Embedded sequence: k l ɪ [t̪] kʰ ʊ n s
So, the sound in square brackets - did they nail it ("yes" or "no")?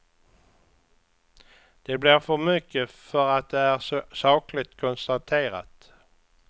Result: yes